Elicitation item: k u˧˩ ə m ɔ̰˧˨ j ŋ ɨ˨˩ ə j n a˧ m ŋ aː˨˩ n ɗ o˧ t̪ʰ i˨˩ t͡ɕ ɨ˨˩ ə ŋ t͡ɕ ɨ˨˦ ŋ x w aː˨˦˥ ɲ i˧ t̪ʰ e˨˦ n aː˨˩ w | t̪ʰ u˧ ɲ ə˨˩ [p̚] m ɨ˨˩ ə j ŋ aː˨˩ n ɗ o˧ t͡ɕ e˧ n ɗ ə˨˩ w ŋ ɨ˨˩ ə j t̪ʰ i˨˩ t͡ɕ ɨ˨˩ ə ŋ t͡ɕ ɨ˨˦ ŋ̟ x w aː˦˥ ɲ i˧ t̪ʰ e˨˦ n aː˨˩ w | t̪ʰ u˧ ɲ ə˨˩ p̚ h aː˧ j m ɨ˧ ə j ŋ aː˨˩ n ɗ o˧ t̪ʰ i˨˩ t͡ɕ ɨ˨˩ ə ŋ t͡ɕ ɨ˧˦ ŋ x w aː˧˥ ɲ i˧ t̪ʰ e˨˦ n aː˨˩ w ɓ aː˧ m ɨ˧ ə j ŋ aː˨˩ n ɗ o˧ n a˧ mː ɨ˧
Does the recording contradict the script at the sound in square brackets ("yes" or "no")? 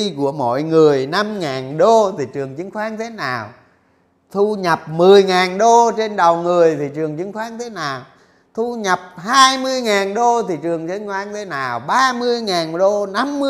no